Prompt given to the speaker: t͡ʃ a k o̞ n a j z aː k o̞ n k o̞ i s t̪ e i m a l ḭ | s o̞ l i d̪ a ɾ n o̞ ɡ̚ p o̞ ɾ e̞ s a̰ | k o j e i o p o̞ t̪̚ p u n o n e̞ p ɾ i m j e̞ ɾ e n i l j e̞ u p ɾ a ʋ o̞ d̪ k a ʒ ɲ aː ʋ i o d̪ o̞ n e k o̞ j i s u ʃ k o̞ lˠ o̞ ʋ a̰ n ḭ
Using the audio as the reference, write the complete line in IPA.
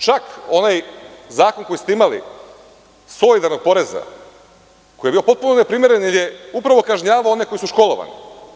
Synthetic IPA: t͡ʃ a k o̞ n a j z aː k o̞ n k o̞ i s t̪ e i m a l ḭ | s o̞ l i d̪ a ɾ n o̞ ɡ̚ p o̞ ɾ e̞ z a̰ | k o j e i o p o̞ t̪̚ p u n o n e̞ p ɾ i m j e̞ ɾ e n i l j e̞ u p ɾ a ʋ o̞ k a ʒ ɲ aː ʋ a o o̞ n e k o̞ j i s u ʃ k o̞ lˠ o̞ ʋ a̰ n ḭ